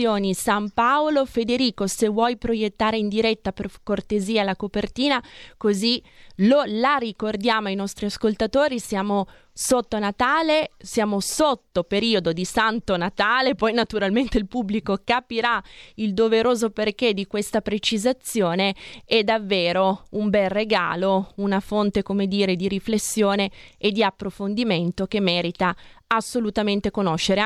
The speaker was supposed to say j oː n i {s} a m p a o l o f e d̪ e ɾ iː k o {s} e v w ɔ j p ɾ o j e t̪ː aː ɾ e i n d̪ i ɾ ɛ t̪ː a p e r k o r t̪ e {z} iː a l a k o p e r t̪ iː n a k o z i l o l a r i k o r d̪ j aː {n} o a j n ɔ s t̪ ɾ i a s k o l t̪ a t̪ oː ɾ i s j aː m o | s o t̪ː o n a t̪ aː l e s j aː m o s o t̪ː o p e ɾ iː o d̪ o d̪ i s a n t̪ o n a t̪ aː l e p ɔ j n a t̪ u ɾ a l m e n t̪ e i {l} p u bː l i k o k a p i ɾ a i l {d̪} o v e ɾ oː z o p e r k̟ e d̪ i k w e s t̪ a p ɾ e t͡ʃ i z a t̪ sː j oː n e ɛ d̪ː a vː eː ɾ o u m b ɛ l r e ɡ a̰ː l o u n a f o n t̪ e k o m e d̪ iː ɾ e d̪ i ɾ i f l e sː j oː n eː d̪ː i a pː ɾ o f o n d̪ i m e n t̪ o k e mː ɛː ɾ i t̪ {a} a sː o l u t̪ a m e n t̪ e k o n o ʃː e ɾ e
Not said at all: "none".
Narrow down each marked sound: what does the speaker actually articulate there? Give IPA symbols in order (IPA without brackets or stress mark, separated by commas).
s, s, z, m, l, d̪, a